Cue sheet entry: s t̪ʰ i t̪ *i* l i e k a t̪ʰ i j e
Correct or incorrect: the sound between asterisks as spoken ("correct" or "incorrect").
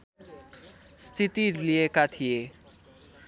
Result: correct